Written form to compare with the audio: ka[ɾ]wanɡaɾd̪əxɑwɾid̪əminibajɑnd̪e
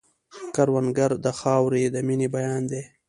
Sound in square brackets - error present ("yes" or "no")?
no